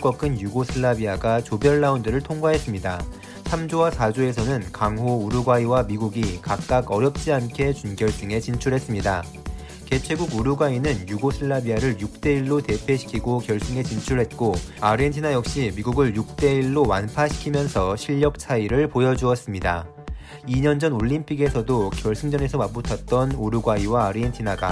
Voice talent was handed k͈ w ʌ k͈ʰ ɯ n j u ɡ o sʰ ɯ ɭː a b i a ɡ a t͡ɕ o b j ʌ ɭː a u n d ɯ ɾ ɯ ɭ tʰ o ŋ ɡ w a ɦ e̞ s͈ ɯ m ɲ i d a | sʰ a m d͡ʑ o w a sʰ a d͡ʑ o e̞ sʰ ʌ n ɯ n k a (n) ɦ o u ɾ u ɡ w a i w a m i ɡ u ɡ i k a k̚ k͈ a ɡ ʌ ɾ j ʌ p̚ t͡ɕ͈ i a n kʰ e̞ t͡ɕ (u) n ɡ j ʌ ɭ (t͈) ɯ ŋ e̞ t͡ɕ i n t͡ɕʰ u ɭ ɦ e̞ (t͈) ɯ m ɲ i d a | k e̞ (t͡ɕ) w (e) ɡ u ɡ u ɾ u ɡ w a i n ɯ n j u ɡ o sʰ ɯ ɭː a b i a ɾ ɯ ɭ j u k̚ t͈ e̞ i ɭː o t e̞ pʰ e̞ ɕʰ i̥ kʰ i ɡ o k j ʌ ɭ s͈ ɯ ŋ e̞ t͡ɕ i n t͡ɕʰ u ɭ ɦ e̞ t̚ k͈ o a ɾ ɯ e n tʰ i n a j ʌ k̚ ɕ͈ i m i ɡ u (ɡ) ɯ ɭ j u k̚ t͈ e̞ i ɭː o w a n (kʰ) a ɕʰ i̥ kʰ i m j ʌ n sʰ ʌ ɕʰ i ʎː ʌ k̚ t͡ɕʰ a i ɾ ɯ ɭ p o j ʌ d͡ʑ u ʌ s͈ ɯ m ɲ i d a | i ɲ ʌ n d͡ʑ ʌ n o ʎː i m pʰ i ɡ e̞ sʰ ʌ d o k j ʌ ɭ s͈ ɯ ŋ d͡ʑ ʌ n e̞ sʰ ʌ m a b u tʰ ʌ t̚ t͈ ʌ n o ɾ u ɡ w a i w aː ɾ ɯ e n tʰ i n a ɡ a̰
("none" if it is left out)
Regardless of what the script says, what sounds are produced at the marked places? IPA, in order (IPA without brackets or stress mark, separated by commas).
ŋ, u, s͈, s͈, t͡ɕʰ, e, ɡ, pʰ